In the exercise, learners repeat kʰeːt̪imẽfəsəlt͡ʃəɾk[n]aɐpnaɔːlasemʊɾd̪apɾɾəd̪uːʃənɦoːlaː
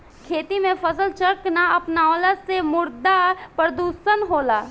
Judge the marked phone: correct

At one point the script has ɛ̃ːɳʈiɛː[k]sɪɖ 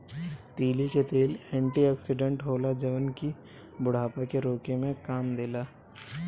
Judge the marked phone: correct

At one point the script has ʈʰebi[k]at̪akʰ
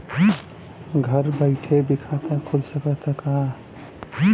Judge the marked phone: incorrect: kʰ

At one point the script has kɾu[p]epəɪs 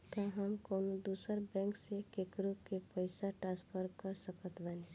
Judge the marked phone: incorrect: k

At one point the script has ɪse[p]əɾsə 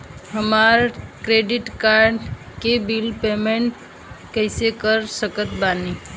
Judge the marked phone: incorrect: k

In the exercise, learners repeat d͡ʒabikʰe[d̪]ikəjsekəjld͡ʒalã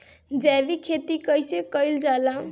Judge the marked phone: incorrect: t̪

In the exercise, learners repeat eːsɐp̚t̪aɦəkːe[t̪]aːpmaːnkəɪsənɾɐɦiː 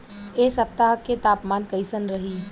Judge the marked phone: correct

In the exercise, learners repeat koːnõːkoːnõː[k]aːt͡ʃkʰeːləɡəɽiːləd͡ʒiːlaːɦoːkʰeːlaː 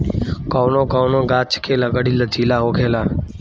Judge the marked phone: incorrect: ɡ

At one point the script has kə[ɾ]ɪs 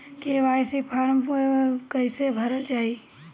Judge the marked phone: incorrect: none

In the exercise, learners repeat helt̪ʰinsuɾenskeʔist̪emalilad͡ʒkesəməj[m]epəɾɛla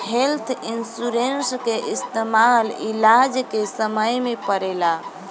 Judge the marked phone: correct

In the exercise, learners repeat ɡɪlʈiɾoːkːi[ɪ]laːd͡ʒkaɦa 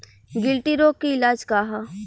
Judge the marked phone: correct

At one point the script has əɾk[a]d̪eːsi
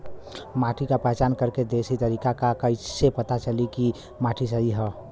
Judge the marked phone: incorrect: e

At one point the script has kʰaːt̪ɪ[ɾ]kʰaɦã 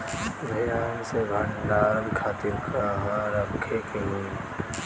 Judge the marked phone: correct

